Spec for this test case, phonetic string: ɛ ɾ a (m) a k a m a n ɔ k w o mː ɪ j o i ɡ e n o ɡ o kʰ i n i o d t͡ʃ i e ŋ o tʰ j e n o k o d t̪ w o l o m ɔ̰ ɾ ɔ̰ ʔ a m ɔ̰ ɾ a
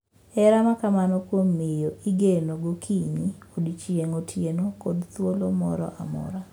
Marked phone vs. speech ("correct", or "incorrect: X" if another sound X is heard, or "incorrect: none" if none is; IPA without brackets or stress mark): correct